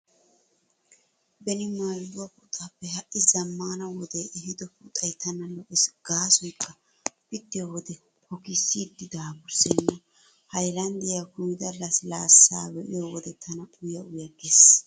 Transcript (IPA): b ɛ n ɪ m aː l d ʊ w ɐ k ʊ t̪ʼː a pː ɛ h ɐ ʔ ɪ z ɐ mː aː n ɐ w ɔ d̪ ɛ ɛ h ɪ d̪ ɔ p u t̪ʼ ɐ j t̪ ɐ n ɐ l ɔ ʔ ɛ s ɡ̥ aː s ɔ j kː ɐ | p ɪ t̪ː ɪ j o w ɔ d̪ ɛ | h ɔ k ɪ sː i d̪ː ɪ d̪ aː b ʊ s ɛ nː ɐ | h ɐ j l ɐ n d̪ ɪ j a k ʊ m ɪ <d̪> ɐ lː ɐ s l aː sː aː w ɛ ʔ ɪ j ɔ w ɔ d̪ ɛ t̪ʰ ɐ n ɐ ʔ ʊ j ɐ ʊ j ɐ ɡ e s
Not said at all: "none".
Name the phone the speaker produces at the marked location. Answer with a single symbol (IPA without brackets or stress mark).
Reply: d̪